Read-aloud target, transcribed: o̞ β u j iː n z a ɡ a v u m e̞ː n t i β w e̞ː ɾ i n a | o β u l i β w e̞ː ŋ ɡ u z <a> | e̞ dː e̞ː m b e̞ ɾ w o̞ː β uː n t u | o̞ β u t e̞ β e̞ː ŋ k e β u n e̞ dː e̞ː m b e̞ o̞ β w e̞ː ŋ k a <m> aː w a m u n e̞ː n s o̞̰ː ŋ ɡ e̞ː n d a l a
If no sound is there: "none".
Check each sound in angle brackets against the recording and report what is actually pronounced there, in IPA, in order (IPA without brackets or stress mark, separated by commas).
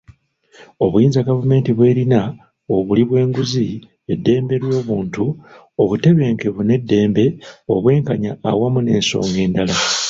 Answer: i, ɲ